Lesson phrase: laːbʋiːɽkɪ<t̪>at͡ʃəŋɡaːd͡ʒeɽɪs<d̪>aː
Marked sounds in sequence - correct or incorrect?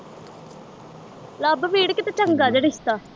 correct, incorrect

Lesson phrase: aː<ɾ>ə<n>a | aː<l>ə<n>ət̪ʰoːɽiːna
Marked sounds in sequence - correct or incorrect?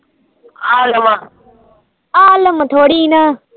incorrect, incorrect, correct, incorrect

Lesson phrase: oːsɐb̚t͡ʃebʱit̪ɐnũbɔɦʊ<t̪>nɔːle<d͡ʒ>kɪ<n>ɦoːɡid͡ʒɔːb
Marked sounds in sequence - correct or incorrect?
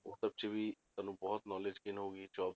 correct, correct, correct

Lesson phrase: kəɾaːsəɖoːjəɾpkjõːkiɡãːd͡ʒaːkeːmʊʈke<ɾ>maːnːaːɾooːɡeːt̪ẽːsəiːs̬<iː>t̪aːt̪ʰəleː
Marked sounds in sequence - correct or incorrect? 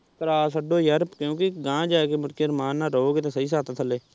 correct, incorrect

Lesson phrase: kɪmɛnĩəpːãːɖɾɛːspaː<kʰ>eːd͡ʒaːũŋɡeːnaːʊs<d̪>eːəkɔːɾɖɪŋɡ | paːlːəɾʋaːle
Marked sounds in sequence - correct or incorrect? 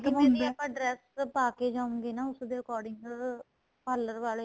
incorrect, correct

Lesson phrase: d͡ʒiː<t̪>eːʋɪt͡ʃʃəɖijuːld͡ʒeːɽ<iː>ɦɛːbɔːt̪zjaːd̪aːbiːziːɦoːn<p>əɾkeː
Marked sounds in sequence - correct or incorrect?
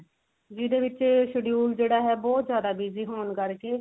incorrect, incorrect, incorrect

